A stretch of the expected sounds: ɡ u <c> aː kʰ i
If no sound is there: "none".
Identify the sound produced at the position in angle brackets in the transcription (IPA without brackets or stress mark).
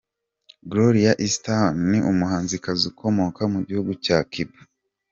c